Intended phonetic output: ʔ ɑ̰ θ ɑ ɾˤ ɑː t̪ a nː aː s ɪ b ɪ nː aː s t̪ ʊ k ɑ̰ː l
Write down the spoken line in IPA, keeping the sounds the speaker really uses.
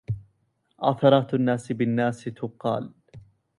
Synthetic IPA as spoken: ʔ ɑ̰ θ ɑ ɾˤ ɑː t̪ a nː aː s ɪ b ɪ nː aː s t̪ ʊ q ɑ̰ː l